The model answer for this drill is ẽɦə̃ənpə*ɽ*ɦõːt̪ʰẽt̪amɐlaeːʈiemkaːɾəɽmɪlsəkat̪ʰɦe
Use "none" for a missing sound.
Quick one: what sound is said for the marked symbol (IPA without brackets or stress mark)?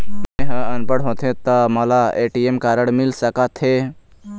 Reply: ɽ